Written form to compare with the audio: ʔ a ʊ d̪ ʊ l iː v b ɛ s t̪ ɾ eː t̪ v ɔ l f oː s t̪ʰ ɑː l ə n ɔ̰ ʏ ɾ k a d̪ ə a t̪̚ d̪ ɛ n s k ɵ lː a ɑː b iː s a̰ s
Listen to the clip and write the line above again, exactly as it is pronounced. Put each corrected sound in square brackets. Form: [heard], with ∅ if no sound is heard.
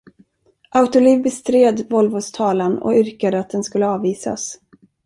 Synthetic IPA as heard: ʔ a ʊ [t̪] ʊ l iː v b ɛ s t̪ ɾ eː [d̪] v ɔ l [v] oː s t̪ʰ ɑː l [a] n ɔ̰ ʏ ɾ k a d̪ ə a t̪̚ d̪ ɛ n s k ɵ lː [ə] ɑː [v] iː s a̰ s